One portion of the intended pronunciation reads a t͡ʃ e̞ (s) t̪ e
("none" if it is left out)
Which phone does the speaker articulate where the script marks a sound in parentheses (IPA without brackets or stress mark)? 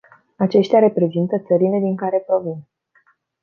ʃ